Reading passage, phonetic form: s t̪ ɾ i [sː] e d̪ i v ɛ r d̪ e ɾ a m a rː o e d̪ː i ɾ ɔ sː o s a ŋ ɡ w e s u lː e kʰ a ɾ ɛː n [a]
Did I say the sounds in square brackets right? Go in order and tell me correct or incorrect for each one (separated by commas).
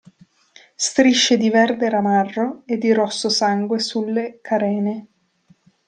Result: incorrect, incorrect